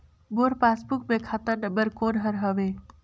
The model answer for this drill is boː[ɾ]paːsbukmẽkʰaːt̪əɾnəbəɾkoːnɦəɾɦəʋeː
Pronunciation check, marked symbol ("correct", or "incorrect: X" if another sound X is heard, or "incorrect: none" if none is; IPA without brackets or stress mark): correct